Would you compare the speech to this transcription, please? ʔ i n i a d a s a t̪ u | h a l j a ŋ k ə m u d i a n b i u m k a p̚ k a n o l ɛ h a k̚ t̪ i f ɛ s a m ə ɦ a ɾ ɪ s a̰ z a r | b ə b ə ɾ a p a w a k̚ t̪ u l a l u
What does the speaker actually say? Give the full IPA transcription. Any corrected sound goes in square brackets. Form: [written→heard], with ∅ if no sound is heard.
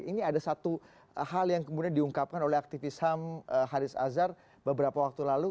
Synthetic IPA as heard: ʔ i n i a d a s a t̪ u | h a l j a ŋ k ə m u d i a n [b→d] i u [m→ŋ] k a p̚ k a n o l ɛ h a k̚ t̪ i f [ɛ→i] s a m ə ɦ a ɾ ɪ s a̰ z a r | b ə b ə ɾ a p a w a k̚ t̪ u l a l u

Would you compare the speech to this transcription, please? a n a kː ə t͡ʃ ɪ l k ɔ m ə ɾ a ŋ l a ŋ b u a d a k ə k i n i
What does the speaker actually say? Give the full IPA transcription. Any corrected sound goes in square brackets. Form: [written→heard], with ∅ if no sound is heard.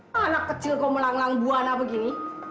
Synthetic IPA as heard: a n a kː ə t͡ʃ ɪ l k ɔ m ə [ɾ→l] a ŋ l a ŋ b u a [d→n] a [k→p] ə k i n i

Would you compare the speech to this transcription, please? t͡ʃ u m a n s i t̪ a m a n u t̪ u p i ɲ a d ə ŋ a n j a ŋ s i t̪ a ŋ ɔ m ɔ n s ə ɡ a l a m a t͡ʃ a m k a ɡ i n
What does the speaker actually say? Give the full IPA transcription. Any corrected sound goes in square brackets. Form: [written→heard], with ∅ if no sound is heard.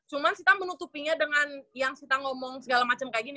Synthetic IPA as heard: t͡ʃ u m a n s i t̪ a m [a→ə] n u t̪ u p i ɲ a d ə ŋ a n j a ŋ s i t̪ a ŋ ɔ m ɔ [n→ŋ] s ə ɡ a l a m a t͡ʃ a m k a ɡ i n

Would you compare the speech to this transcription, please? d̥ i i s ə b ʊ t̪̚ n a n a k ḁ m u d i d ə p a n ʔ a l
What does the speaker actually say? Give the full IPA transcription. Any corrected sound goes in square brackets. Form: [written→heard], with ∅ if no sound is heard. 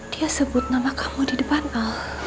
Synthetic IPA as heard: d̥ i [i→a] s ə b ʊ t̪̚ n a [n→m] a k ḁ m u d i d ə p a n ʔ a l

